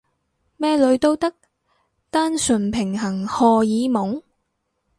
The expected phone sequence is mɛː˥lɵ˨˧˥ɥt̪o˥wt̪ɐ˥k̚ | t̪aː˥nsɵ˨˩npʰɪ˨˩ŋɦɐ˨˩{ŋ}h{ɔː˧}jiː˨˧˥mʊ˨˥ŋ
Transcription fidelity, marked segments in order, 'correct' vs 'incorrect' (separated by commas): correct, correct